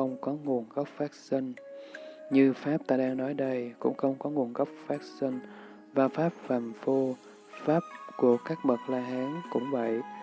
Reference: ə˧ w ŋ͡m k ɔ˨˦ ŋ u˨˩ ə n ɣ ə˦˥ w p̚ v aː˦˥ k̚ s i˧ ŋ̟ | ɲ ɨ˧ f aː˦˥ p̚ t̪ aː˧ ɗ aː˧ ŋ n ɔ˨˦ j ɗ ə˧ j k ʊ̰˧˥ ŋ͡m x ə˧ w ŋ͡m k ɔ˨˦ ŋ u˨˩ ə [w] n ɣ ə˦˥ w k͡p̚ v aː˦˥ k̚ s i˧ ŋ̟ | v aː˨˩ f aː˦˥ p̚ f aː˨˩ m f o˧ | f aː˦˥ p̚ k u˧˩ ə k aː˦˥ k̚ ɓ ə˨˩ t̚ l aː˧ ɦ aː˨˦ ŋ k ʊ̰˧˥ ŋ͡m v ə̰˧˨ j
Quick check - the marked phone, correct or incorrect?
incorrect